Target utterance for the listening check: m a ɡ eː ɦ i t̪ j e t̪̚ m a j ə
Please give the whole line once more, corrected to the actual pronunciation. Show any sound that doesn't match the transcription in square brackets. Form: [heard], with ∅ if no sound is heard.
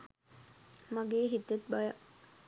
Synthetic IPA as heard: m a ɡ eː ɦ i t̪ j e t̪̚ [b] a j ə